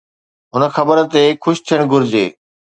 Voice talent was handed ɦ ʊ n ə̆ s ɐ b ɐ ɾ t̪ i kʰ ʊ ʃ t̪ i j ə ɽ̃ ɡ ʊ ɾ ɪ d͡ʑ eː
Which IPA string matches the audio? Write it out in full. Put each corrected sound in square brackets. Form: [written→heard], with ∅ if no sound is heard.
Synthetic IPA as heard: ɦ ʊ n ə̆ [s→x] ɐ b [ɐ→ə] ɾ t̪ [i→e] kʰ ʊ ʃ [t̪→t̪ʰ] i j ə ɽ̃ ɡ ʊ ɾ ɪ d͡ʑ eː